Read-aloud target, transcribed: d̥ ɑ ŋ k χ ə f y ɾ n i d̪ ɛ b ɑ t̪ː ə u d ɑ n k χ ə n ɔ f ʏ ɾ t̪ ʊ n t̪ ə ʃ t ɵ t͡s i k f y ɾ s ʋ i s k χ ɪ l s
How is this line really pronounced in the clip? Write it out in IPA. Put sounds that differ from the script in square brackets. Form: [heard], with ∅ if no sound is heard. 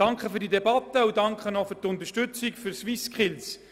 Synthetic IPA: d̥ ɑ ŋ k χ ə f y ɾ [d] i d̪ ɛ b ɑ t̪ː ə u d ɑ [ŋ] k χ ə n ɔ f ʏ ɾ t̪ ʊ n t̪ ə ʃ t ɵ t͡s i k f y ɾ s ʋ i s k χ ɪ l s